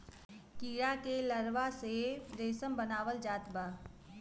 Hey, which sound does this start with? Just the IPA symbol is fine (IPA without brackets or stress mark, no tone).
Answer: k